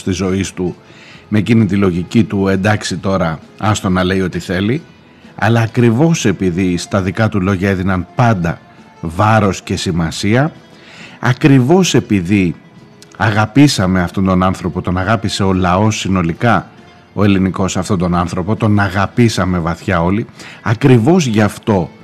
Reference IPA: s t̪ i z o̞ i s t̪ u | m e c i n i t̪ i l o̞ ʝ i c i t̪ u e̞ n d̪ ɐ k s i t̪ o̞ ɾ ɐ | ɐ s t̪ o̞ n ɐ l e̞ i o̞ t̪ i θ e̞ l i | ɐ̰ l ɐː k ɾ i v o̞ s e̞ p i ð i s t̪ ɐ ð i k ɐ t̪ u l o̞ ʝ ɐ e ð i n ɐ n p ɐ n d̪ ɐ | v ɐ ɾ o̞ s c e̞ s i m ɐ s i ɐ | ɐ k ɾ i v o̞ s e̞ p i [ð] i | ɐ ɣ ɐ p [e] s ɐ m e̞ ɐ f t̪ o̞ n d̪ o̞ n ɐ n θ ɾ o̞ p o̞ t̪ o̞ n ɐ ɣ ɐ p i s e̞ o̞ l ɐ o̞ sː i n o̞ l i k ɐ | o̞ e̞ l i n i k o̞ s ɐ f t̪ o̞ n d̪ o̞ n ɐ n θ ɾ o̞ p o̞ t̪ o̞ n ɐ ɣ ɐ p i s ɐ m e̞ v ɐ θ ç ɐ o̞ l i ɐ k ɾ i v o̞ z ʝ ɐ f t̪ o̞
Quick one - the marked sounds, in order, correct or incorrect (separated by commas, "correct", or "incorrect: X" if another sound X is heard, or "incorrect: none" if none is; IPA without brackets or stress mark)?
correct, incorrect: i